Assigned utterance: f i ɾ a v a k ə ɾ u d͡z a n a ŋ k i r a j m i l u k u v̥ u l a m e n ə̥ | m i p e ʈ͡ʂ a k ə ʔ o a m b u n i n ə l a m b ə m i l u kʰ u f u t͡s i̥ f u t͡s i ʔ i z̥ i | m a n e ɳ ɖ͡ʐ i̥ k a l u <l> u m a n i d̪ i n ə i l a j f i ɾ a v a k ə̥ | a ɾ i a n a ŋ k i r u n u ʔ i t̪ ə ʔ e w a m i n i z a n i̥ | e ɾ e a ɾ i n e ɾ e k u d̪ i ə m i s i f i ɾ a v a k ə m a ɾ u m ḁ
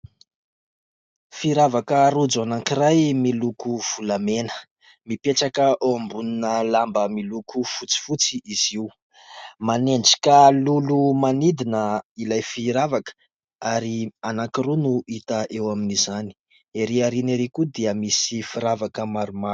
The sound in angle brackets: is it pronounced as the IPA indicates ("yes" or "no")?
yes